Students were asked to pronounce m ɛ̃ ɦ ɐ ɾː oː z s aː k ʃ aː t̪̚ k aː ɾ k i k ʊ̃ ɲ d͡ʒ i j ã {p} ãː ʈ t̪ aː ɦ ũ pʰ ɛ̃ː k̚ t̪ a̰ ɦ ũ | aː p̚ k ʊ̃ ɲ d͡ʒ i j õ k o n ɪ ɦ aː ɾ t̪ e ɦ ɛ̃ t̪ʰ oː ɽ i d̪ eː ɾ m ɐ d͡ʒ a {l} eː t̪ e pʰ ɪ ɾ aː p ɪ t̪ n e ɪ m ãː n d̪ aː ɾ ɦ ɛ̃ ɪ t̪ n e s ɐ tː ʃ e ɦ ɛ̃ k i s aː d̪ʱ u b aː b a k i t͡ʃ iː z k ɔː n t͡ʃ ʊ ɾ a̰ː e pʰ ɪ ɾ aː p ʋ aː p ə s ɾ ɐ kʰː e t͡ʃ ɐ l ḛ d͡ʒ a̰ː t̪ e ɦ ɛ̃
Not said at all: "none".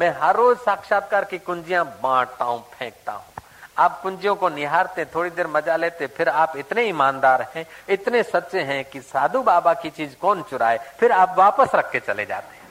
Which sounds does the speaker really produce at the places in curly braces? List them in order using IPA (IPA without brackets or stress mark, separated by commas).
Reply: b, l